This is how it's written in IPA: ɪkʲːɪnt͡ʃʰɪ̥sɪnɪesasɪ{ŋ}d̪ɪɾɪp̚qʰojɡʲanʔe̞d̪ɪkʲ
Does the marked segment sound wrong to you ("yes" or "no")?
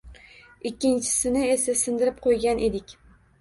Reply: yes